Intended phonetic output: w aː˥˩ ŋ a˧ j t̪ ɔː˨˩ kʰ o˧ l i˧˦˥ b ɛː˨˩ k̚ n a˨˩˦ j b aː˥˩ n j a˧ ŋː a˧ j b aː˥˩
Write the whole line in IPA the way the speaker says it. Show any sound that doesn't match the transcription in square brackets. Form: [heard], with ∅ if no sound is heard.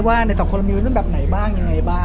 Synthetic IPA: w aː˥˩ [n] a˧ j t̪ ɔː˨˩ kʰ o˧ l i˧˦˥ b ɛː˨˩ [p̚] n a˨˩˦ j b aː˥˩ [ŋ] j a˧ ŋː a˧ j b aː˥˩